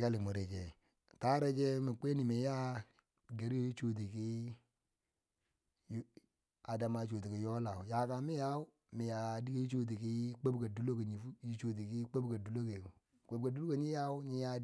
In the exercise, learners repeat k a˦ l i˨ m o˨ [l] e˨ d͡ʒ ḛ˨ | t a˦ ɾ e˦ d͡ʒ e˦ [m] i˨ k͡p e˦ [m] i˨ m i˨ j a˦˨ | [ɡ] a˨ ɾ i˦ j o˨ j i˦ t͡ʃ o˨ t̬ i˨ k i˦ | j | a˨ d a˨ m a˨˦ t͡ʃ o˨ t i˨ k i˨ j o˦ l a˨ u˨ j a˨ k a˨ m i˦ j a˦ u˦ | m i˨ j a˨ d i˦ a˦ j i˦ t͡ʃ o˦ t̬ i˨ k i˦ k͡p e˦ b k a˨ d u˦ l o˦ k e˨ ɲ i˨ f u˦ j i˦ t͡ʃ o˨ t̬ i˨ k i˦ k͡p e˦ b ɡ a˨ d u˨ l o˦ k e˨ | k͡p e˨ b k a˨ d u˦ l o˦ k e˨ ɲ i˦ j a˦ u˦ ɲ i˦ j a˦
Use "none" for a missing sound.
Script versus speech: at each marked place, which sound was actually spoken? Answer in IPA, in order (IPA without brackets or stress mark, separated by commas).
ɾ, m, n, ɡ